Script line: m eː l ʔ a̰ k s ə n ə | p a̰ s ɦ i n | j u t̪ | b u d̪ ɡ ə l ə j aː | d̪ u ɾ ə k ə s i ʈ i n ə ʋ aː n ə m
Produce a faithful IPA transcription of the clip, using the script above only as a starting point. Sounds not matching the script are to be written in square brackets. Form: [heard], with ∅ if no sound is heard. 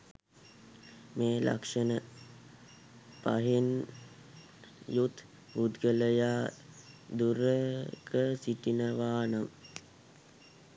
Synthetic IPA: m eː l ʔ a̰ k [ʂ] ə n ə | p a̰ [∅] ɦ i n | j u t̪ | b u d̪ ɡ ə l ə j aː | d̪ u ɾ ə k ə s i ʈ i n ə ʋ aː n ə m